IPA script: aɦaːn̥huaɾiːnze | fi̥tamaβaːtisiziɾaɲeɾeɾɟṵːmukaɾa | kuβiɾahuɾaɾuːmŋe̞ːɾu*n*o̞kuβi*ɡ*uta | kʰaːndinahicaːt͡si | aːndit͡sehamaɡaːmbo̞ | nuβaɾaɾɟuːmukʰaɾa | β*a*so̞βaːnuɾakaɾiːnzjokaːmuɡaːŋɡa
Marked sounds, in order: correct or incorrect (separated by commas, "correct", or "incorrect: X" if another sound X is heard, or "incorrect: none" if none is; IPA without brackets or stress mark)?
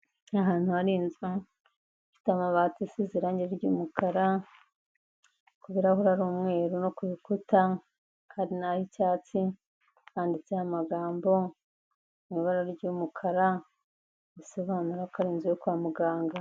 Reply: correct, incorrect: k, incorrect: i